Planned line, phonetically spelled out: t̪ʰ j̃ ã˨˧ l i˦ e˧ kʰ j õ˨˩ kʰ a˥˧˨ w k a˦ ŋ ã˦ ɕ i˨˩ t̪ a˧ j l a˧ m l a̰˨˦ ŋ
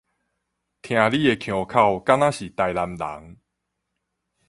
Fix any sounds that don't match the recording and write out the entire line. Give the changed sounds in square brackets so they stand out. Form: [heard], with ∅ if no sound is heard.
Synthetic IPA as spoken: t̪ʰ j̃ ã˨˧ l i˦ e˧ kʰ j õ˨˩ kʰ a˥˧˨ w k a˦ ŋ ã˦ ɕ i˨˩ t̪ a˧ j l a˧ m l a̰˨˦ ŋ